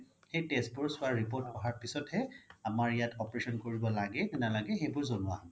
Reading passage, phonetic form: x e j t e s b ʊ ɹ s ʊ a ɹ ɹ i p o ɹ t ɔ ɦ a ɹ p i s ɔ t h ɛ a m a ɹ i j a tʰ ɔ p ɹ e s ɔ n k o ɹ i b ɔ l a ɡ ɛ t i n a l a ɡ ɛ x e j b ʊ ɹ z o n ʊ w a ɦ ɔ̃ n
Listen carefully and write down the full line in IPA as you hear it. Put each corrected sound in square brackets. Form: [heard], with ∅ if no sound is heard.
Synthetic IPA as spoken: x e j t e s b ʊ ɹ s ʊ a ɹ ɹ i p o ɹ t ɔ ɦ a ɹ p i s ɔ t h ɛ a m a ɹ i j a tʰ ɔ p ɹ e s ɔ n k o ɹ i b ɔ l a ɡ ɛ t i n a l a ɡ ɛ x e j b ʊ ɹ z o n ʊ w a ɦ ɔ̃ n